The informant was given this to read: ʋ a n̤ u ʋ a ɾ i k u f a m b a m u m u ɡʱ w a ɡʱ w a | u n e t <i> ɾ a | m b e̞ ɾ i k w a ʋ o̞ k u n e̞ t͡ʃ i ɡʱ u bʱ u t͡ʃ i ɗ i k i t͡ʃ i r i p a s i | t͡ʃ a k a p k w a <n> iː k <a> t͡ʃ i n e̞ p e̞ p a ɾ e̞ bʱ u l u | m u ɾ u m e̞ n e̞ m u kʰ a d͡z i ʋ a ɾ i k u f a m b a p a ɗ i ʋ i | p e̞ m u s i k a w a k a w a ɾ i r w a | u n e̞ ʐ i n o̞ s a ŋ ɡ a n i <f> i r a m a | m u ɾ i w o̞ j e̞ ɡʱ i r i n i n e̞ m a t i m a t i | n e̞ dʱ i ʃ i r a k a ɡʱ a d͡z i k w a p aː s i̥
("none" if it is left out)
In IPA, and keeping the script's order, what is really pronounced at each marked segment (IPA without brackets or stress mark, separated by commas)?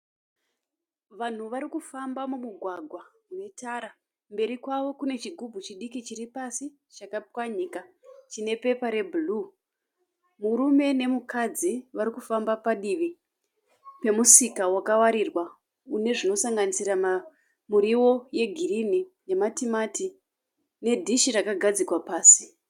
a, ɲ, a, s